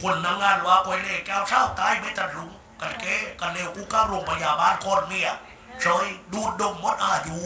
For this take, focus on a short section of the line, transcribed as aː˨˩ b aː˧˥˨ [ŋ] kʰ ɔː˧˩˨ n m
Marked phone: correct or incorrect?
incorrect